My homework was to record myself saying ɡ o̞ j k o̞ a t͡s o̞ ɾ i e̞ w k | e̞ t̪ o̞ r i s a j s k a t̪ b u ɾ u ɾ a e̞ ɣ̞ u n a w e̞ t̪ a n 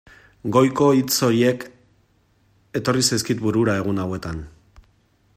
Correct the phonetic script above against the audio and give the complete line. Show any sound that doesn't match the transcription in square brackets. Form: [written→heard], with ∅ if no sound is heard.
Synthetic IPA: ɡ o̞ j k o̞ [a→i] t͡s o̞ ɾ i e̞ [w→∅] k | e̞ t̪ o̞ r i s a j s k [a→i] t̪ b u ɾ u ɾ a e̞ ɣ̞ u n a w e̞ t̪ a n